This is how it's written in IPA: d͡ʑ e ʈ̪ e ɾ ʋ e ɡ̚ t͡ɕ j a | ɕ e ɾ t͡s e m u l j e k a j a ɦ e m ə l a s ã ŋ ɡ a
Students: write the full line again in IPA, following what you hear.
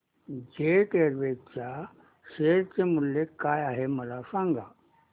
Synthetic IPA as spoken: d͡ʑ e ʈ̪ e ɾ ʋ e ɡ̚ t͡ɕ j a | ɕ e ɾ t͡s e m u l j e k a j a ɦ e m ə l a s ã ŋ ɡ a